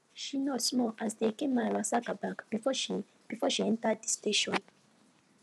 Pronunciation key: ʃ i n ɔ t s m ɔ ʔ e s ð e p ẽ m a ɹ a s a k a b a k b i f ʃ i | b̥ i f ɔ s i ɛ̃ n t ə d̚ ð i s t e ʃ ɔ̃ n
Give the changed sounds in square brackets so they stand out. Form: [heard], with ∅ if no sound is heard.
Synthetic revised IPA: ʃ i n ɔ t s m ɔ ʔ [a] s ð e [k] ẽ m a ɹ a s a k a b a k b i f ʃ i | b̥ i f ɔ [ʃ] i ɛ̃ n t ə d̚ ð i s t e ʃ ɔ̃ n